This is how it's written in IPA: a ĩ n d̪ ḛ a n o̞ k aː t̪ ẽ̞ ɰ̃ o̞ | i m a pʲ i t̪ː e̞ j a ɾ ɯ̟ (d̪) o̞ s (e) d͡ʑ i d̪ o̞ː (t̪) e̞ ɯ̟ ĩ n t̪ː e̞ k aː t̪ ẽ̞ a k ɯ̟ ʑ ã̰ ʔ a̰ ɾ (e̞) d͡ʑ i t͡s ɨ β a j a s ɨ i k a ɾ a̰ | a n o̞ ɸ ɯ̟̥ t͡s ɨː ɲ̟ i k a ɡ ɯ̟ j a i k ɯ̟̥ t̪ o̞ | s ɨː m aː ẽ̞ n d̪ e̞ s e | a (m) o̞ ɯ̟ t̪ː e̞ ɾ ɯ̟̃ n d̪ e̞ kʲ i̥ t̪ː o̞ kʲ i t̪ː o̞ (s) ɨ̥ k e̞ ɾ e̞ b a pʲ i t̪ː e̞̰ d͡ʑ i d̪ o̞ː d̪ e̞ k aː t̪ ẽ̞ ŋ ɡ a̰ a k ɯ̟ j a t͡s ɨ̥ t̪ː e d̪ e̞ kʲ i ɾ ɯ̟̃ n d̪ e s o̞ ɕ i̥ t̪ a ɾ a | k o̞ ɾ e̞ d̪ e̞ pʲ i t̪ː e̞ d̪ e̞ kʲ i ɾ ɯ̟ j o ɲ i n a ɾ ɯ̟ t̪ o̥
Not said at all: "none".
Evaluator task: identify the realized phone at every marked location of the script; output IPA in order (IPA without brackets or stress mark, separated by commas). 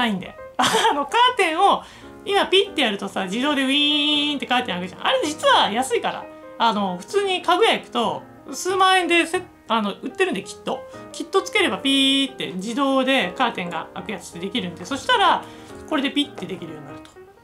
t̪, a, d̪, e̞, n, t͡s